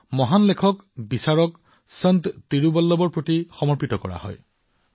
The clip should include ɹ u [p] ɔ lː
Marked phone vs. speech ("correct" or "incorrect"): incorrect